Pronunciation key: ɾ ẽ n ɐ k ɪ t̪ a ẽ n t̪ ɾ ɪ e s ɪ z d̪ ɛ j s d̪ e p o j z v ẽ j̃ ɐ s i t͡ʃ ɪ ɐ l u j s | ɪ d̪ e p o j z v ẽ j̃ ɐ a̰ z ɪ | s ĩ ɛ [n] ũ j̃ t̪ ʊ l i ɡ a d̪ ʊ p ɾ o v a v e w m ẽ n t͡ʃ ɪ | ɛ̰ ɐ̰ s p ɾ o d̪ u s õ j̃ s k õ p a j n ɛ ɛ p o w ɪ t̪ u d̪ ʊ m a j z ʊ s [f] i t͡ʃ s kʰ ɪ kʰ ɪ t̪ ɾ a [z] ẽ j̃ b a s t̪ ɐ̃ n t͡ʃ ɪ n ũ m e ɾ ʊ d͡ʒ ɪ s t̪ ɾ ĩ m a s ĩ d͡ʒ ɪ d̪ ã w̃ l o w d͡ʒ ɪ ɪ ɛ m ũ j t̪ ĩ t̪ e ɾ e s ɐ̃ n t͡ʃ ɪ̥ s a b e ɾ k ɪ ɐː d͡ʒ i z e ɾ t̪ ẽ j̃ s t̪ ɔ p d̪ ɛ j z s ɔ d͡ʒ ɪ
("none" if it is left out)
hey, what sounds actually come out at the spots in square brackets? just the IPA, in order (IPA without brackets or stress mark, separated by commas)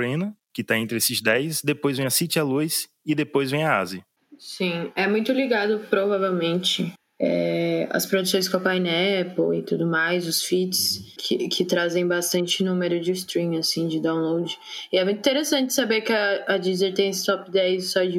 m, f, z